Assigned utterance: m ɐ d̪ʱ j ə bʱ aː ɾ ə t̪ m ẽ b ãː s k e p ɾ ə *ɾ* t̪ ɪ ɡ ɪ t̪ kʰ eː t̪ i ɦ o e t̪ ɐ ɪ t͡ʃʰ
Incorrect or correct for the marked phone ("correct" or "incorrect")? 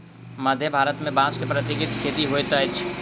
incorrect